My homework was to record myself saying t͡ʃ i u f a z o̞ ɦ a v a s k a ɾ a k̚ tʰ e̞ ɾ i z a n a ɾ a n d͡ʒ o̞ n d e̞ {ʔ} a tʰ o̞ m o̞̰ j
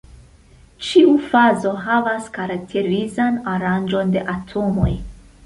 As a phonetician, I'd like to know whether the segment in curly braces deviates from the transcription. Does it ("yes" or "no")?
no